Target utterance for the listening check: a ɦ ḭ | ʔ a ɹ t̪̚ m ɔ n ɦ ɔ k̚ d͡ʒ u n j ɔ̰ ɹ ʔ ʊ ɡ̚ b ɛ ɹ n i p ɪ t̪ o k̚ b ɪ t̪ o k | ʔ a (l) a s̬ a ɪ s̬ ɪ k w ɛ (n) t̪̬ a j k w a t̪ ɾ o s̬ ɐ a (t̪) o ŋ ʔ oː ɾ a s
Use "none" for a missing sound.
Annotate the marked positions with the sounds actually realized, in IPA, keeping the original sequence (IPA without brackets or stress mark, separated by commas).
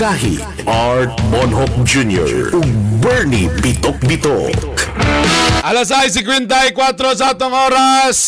l, n, t̪